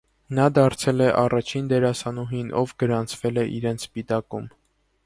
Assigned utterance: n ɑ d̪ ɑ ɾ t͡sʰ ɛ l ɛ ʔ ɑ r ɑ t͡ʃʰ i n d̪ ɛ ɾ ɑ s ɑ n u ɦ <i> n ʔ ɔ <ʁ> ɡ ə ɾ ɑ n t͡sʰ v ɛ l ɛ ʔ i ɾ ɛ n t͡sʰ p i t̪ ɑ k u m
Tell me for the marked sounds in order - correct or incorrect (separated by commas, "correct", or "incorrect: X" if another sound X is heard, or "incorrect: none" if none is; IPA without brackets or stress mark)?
correct, incorrect: v